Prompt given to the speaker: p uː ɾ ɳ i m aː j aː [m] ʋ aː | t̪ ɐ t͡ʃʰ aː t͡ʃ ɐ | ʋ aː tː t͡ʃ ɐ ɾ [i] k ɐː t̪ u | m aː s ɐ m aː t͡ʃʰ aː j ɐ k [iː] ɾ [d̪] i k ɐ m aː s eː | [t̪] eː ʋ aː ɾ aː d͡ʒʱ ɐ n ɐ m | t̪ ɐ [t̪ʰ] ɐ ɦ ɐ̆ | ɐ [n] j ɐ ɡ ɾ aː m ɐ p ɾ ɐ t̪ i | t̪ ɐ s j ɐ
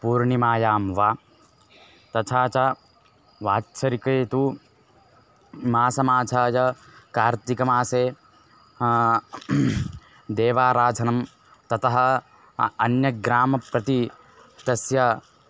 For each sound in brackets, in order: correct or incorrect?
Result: correct, correct, incorrect: aː, incorrect: t̪, incorrect: d̪, incorrect: t̪, correct

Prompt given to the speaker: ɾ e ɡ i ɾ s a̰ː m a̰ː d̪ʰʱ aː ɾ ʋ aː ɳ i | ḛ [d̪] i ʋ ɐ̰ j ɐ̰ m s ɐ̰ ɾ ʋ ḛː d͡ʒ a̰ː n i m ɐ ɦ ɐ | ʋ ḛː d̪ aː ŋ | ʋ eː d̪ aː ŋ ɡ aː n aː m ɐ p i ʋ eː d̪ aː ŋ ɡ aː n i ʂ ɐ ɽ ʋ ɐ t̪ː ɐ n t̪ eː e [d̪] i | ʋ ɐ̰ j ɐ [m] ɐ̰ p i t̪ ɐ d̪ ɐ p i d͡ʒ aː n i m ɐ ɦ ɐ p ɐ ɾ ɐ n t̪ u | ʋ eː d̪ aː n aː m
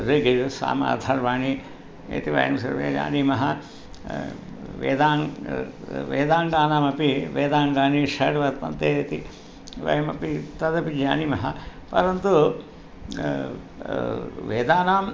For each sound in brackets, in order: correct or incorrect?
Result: incorrect: t̪, incorrect: t̪, correct

